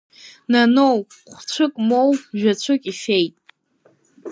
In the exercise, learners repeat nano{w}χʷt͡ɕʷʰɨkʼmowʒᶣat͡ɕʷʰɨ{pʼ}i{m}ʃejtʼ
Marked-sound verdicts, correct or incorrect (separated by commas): correct, incorrect, incorrect